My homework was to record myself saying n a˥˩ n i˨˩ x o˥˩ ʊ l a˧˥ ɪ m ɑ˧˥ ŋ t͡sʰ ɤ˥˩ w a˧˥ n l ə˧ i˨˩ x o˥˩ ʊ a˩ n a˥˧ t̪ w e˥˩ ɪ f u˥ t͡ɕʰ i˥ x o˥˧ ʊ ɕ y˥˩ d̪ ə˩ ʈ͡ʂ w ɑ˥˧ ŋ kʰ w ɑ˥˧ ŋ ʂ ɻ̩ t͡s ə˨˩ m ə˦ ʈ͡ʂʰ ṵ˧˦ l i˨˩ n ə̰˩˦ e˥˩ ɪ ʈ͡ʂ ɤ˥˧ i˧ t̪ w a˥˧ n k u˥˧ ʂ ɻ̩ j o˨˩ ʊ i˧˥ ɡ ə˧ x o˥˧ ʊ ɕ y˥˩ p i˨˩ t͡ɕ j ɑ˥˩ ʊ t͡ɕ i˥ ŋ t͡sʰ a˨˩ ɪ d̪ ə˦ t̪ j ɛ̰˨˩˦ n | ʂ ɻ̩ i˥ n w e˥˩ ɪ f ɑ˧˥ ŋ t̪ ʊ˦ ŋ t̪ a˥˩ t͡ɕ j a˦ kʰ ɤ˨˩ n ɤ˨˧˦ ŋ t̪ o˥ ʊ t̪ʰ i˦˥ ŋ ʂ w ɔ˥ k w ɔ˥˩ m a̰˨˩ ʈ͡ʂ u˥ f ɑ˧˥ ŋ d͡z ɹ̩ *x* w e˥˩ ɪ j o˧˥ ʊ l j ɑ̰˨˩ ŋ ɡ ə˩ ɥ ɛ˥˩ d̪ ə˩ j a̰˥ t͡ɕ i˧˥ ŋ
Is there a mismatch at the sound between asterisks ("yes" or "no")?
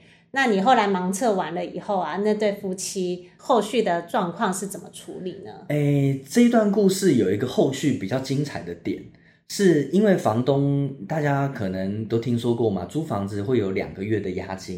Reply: no